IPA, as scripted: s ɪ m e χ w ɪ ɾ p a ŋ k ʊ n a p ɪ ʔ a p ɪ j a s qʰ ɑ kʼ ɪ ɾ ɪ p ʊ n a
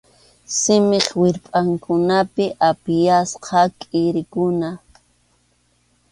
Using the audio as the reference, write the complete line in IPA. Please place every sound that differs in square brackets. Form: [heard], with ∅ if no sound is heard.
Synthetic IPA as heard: s ɪ m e χ w ɪ ɾ [pʼ] a ŋ k ʊ n a p ɪ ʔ a p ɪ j a s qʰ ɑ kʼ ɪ ɾ ɪ [k] ʊ n a